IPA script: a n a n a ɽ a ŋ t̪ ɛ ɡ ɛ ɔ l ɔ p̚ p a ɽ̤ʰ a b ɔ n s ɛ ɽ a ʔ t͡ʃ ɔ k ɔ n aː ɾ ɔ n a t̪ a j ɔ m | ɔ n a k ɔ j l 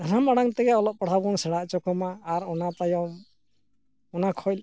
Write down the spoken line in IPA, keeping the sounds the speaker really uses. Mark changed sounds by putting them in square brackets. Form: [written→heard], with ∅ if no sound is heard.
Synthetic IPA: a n a [n→m] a ɽ a ŋ t̪ ɛ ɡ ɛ ɔ l ɔ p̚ p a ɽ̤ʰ a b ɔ n s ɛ ɽ a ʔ t͡ʃ ɔ k ɔ [n→m] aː ɾ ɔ n a t̪ a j ɔ m | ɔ n a [k→kʰ] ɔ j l